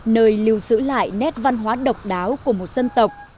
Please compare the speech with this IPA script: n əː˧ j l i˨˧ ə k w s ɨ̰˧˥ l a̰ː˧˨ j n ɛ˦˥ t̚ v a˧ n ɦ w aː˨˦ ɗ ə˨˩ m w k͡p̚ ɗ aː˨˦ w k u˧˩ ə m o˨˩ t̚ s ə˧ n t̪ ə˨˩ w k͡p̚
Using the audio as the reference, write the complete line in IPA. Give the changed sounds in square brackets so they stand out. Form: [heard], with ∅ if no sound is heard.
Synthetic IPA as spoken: n əː˧ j l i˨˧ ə [∅] w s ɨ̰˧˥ l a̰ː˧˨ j n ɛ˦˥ t̚ v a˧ n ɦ w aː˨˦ ɗ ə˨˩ [∅] w k͡p̚ ɗ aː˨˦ w k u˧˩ ə m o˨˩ t̚ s ə˧ n t̪ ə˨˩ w k͡p̚